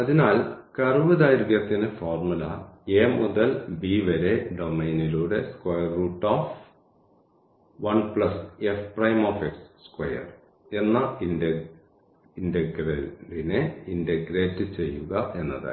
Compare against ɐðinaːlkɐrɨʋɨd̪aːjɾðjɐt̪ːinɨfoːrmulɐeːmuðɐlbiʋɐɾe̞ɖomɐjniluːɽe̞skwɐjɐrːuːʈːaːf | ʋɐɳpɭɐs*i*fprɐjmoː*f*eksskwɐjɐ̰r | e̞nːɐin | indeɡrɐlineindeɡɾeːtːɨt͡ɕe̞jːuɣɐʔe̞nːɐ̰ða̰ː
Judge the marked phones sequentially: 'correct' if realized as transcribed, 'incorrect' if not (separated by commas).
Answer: incorrect, correct